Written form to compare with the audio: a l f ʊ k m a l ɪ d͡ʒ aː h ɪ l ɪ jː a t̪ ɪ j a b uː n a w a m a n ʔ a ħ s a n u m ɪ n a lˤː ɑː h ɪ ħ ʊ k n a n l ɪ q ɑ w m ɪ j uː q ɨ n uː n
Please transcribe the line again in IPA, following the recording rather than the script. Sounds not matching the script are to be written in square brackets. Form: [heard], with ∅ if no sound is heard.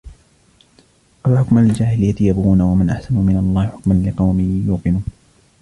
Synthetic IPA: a l [ħ] ʊ k m a l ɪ d͡ʒ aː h ɪ l ɪ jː a t̪ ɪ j a b uː n a w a m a n ʔ a ħ s a n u m ɪ n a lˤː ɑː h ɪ ħ ʊ k [m] a n l ɪ q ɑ w m ɪ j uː q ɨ n uː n